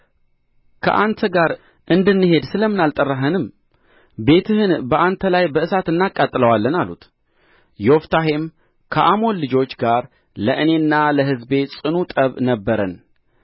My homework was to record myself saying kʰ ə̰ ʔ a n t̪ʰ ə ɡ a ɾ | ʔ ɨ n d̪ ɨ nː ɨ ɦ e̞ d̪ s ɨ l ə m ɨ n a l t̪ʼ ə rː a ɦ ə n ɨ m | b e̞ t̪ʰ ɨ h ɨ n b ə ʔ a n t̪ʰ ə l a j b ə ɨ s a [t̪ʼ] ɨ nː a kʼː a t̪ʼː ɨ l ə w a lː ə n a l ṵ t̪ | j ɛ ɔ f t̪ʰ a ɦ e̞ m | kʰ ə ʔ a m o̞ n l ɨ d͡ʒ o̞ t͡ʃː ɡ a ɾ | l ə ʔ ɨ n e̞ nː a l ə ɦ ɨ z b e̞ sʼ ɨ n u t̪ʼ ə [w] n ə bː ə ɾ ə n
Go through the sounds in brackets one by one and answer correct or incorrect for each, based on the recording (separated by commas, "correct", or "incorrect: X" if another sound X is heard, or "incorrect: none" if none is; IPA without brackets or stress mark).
incorrect: t̪, incorrect: β